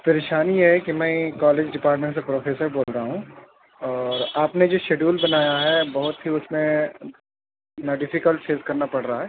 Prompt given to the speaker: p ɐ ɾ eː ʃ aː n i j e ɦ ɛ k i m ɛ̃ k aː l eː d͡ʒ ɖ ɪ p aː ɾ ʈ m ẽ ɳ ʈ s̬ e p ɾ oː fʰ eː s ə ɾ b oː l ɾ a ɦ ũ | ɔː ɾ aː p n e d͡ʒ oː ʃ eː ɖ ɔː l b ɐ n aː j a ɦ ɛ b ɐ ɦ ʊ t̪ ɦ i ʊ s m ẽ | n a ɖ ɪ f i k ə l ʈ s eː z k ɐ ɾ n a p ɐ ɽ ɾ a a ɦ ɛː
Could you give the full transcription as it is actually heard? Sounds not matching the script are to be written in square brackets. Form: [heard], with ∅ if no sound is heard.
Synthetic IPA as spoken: p ɐ ɾ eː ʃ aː n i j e ɦ ɛ k i m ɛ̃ k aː l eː d͡ʒ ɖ ɪ p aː ɾ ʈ m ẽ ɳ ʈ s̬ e p ɾ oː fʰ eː s ə ɾ b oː l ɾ a ɦ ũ | ɔː ɾ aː p n e d͡ʒ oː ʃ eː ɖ [uː] l b ɐ n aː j a ɦ ɛ b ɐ ɦ ʊ t̪ ɦ i ʊ s m ẽ | n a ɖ ɪ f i k ə l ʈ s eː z k ɐ ɾ n a p ɐ ɽ ɾ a a ɦ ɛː